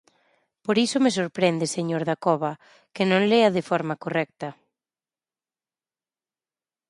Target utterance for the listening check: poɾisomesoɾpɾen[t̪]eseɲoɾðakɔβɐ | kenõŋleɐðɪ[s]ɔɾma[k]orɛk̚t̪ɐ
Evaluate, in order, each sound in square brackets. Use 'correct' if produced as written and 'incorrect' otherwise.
incorrect, incorrect, correct

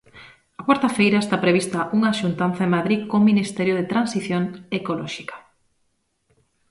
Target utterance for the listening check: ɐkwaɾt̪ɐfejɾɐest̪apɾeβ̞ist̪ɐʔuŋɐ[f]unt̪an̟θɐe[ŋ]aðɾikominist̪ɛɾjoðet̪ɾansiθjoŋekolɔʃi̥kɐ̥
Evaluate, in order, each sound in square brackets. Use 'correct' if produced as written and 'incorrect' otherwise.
incorrect, incorrect

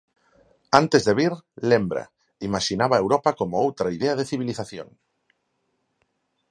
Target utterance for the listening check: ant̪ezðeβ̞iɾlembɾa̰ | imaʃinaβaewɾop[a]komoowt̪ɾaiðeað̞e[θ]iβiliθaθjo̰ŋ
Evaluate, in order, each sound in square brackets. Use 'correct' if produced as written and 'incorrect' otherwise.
correct, correct

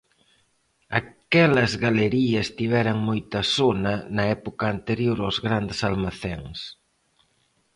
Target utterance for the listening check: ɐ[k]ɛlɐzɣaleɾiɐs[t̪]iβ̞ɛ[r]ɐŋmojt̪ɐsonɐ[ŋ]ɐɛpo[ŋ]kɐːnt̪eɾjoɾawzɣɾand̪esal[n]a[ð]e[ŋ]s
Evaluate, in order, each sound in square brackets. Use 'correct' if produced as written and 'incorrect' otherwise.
correct, correct, incorrect, incorrect, incorrect, incorrect, incorrect, correct

